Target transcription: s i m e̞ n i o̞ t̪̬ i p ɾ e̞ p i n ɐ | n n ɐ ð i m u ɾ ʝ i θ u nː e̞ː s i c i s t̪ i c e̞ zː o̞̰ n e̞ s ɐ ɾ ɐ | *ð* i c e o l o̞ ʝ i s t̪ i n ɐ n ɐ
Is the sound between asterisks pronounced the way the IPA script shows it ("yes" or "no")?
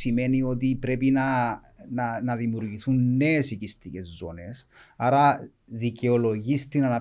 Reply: yes